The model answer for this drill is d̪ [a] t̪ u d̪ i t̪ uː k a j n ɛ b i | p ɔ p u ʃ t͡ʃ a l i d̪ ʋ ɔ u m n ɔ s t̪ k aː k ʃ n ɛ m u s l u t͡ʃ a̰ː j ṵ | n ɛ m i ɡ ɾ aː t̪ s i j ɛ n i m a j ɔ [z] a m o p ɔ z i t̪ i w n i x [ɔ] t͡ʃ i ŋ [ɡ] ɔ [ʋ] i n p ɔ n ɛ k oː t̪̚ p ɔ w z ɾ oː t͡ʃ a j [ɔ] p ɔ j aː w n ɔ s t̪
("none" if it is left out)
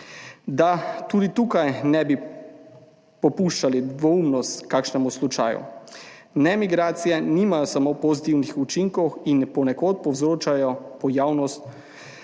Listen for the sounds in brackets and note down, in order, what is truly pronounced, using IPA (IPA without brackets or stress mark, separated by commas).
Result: a, s, u, k, w, ɔ